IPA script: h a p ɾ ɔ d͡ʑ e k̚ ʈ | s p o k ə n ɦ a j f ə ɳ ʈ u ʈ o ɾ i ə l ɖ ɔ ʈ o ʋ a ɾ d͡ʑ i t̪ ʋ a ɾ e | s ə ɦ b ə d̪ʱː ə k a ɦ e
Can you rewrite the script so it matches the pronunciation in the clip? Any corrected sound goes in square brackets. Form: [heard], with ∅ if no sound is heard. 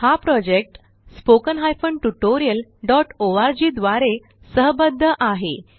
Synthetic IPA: h a p ɾ ɔ d͡ʑ e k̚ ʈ | s p o k ə n ɦ a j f ə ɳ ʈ u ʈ o ɾ i ə l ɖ ɔ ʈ o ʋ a ɾ d͡ʑ i [d̪] ʋ a ɾ e | s ə ɦ b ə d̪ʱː ə [ʔ] a ɦ e